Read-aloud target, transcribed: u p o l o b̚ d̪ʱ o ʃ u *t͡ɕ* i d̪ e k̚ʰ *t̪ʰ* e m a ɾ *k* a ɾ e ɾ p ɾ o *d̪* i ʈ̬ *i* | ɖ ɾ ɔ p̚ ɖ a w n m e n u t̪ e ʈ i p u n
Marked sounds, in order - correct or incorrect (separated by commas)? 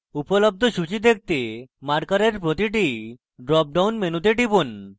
correct, incorrect, correct, incorrect, correct